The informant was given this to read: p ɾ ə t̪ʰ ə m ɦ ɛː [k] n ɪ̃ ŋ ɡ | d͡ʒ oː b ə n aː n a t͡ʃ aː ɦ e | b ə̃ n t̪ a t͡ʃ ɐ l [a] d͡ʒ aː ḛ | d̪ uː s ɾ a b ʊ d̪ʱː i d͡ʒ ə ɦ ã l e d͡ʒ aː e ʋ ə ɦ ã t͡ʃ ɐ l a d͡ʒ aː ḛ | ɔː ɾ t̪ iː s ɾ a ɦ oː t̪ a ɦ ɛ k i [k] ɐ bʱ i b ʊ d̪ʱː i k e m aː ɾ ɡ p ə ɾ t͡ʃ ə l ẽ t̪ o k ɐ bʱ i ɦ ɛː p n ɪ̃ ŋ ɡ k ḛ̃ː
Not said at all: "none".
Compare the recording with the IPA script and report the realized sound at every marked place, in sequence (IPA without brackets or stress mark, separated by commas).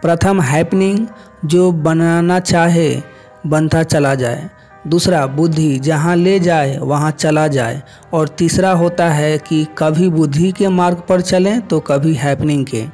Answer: p, a, k